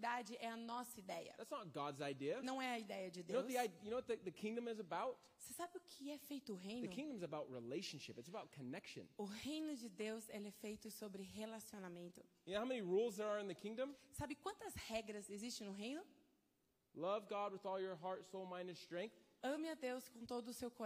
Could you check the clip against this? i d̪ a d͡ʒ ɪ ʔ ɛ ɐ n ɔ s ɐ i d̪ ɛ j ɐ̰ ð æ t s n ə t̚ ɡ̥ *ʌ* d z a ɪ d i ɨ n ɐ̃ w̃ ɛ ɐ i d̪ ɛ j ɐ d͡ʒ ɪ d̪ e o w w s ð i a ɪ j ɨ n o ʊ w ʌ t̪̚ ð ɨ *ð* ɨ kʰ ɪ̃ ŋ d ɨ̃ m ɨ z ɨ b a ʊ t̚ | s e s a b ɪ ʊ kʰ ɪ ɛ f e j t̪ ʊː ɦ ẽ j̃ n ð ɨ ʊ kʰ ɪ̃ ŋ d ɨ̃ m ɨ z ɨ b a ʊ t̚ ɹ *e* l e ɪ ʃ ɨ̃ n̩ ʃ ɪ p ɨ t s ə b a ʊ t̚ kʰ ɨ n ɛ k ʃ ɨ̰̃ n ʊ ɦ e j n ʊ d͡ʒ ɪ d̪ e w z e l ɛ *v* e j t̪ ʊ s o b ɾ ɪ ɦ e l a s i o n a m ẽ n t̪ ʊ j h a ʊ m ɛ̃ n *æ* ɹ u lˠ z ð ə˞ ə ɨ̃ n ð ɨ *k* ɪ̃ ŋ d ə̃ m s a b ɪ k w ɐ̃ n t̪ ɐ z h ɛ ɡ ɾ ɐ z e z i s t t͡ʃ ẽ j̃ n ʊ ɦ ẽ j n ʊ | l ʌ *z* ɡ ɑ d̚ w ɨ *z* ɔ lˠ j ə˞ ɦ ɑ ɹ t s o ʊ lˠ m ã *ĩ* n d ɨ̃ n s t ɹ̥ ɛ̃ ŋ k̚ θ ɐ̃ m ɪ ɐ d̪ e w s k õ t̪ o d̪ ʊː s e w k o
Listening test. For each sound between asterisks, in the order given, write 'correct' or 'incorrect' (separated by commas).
incorrect, correct, incorrect, incorrect, incorrect, incorrect, incorrect, incorrect, incorrect